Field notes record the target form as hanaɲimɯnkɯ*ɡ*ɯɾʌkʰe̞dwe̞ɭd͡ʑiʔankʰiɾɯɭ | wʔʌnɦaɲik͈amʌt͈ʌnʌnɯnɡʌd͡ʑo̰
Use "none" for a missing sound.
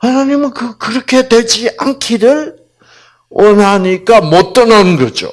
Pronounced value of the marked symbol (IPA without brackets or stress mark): k